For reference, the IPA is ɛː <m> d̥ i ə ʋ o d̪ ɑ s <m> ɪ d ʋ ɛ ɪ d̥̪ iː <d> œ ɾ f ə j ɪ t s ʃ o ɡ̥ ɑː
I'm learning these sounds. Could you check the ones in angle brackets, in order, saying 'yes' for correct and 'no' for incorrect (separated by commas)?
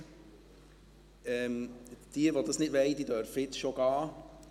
yes, no, yes